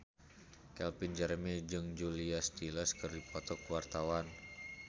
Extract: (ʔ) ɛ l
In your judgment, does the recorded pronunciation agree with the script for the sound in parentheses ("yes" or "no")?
no